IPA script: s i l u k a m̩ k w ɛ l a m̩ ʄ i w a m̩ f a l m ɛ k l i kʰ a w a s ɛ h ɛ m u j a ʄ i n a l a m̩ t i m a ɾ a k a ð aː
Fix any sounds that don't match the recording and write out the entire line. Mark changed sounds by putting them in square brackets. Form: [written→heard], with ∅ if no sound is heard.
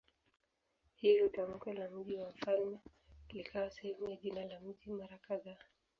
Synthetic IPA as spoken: [s→h] i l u [k→t] a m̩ k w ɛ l a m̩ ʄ i w a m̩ f a l m ɛ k l i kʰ a w a s ɛ h ɛ m u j a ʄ i n a l a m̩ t i m a ɾ a k a ð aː